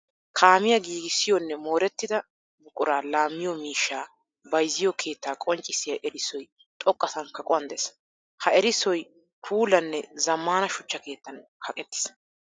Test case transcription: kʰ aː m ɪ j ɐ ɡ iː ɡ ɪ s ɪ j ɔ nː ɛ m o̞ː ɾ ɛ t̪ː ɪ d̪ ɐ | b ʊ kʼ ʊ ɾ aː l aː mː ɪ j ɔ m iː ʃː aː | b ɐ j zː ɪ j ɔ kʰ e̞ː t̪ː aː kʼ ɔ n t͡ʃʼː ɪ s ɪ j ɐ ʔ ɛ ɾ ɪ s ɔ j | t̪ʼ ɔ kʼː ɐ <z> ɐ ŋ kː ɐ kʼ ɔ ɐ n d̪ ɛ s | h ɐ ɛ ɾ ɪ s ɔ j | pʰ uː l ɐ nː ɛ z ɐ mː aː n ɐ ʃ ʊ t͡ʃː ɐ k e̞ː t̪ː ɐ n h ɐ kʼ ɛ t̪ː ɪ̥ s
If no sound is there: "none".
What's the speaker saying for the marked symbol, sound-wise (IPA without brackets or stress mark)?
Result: s